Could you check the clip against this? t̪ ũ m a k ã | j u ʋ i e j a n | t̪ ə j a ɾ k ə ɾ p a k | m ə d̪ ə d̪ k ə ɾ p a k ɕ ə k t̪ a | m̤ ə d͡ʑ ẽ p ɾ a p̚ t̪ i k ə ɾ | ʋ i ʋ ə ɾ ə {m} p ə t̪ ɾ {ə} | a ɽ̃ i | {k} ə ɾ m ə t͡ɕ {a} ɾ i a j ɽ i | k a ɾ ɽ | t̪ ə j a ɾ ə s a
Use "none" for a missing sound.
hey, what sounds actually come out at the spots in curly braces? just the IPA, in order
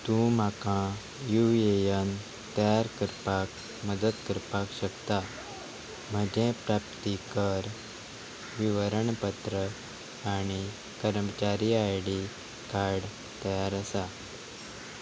ɳ, ə, k, a

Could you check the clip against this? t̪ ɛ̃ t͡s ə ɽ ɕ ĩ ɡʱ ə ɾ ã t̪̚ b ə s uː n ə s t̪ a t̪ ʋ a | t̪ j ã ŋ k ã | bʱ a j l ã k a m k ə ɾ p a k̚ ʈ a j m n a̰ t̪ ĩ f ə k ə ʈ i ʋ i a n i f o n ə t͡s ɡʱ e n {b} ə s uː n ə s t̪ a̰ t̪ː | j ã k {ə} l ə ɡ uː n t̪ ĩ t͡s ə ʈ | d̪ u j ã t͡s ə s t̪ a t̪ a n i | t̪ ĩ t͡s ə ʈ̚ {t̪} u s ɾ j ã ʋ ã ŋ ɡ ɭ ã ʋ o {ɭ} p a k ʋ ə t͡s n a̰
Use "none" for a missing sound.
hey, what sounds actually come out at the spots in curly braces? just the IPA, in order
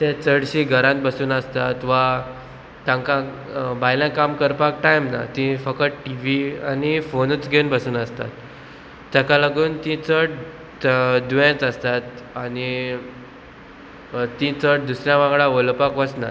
b, a, d̪, l

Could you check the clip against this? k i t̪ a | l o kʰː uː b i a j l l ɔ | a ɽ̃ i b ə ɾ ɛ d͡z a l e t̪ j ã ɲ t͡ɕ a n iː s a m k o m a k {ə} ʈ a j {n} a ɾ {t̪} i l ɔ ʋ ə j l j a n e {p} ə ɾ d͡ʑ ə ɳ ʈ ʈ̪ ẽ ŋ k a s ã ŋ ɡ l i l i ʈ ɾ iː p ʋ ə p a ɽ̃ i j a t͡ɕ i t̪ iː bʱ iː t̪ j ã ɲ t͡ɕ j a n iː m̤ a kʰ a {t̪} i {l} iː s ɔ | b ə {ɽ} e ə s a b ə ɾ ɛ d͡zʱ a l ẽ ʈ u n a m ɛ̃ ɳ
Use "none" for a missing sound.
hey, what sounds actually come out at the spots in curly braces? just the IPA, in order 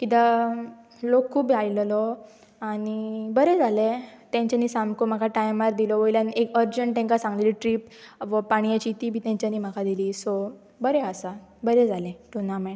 a, m, d̪, k, d̪, l, ɾ

